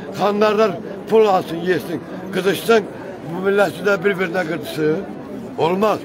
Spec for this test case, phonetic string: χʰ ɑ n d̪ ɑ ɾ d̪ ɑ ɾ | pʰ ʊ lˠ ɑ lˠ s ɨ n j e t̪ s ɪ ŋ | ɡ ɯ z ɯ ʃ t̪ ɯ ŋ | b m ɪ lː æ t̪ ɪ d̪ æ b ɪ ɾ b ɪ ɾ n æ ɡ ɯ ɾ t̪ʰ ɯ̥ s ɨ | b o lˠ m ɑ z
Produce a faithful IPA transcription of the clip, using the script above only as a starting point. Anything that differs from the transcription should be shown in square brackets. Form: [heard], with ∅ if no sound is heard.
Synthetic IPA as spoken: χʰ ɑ n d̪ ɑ ɾ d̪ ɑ ɾ | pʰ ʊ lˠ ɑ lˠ s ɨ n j e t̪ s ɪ ŋ | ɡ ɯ z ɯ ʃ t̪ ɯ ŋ | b m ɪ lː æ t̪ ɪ d̪ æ b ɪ ɾ b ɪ ɾ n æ ɡ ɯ ɾ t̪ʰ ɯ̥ s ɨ | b o lˠ m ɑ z

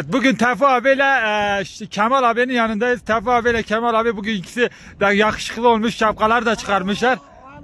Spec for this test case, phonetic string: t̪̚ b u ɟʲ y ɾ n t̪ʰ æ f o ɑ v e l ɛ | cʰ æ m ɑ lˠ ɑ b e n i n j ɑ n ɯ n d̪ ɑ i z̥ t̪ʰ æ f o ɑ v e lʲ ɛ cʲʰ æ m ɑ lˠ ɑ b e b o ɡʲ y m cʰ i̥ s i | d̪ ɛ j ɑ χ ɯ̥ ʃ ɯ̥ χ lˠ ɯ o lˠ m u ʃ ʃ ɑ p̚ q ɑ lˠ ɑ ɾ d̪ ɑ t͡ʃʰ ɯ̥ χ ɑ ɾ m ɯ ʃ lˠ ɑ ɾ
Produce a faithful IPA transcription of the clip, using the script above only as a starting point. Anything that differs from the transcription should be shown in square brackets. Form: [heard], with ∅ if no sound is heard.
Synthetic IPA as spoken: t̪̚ b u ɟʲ y [∅] n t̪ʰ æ f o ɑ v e l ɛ | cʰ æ m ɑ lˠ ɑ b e n i n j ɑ n ɯ n d̪ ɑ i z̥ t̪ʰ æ f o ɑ v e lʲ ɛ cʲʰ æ m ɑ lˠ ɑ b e b [u] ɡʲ y [n] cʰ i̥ s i | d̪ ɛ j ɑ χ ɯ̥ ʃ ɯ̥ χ lˠ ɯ o lˠ m u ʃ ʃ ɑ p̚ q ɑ lˠ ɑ ɾ d̪ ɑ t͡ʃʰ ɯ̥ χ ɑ ɾ m ɯ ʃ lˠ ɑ ɾ

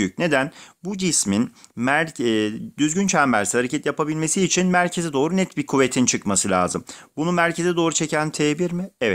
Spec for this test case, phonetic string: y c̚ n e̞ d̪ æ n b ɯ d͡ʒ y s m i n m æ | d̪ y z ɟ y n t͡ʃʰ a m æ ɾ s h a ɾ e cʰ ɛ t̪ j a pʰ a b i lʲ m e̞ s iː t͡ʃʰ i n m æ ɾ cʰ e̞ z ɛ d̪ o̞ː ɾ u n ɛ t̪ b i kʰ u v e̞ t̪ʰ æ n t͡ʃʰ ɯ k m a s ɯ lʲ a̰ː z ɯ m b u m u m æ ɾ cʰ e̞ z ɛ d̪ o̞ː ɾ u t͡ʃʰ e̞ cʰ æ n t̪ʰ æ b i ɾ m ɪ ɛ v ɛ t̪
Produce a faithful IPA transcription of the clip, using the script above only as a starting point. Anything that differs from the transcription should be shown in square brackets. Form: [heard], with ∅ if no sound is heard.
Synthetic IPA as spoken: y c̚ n e̞ d̪ æ n b [u] d͡ʒ [i] s m i n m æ | d̪ y z ɟ y n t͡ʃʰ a m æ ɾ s h a ɾ e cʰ ɛ t̪ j a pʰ a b i lʲ m e̞ s iː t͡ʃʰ i n m æ ɾ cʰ e̞ z ɛ d̪ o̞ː ɾ u n ɛ t̪ b i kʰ u v e̞ t̪ʰ [i] n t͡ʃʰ ɯ k m a s ɯ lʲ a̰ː z ɯ m b u [n] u m æ ɾ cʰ e̞ z ɛ d̪ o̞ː ɾ u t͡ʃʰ e̞ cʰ æ n t̪ʰ [e] b i ɾ m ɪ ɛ v ɛ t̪

